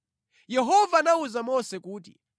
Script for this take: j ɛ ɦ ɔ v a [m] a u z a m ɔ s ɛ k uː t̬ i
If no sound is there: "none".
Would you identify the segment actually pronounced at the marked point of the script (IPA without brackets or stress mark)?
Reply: n